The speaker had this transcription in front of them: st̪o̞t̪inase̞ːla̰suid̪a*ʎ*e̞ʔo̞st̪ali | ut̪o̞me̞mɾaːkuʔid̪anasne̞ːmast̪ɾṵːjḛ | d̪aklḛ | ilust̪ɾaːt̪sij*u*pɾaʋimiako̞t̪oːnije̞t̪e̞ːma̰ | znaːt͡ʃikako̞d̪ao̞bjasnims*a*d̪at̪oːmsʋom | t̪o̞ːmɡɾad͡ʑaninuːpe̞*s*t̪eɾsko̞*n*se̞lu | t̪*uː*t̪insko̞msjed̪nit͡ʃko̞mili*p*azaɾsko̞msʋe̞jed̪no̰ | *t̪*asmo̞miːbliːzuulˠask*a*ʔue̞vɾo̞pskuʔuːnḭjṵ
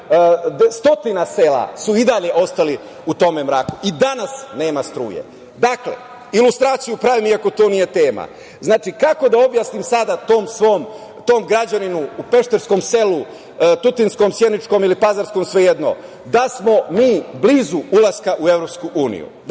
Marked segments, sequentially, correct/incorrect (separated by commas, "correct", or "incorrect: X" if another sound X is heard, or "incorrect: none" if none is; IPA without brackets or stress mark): correct, correct, correct, incorrect: ʃ, incorrect: m, incorrect: u, correct, incorrect: d̪, correct